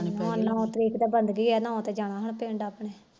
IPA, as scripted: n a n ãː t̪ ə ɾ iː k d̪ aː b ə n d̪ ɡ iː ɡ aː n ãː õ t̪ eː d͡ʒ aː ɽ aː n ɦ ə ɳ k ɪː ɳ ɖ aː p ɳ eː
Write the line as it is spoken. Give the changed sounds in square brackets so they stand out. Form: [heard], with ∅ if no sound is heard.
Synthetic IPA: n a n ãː t̪ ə ɾ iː k d̪ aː b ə n d̪ ɡ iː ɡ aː n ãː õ t̪ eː d͡ʒ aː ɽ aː [∅] ɦ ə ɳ [p] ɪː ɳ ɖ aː p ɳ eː